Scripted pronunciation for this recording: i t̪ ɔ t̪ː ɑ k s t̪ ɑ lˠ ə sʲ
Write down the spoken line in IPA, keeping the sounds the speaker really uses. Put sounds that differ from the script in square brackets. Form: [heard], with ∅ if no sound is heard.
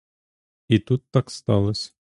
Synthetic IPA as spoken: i t̪ [u] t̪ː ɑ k s t̪ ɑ lˠ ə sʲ